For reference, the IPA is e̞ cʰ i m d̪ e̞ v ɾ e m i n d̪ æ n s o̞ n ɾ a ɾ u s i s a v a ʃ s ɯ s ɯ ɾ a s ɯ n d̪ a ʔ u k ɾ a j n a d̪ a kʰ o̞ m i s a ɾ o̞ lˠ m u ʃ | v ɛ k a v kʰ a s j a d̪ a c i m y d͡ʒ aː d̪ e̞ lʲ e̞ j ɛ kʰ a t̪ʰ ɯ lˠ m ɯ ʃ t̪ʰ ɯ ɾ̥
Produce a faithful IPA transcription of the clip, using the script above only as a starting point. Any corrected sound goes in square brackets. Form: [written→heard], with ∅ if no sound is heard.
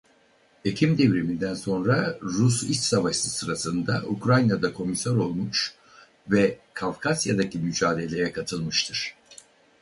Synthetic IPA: e̞ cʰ i m d̪ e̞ v ɾ e m i n d̪ æ n s o̞ n ɾ a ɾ u s i s a v a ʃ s ɯ s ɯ ɾ a s ɯ n d̪ a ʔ u k ɾ a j n a d̪ a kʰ o̞ m i s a ɾ o̞ lˠ m u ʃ | v ɛ [k→kʰ] a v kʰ a s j a d̪ a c i m y d͡ʒ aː d̪ e̞ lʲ e̞ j ɛ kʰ a t̪ʰ ɯ lˠ m ɯ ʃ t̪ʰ ɯ ɾ̥